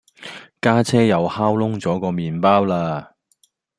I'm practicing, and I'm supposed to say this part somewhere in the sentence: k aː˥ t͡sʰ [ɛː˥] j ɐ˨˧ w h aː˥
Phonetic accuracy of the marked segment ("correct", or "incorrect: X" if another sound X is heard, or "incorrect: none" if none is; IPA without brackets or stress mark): correct